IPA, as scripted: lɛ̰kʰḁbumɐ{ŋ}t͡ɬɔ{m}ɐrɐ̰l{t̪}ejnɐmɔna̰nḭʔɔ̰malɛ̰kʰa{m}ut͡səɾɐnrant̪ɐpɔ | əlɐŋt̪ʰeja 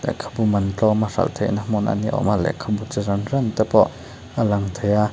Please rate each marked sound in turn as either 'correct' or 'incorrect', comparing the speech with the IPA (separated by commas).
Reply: incorrect, correct, incorrect, incorrect